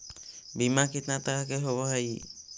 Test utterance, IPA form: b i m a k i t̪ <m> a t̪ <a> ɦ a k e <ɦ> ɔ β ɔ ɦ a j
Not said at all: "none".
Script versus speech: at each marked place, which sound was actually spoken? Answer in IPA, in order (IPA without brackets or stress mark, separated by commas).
n, a, ɦ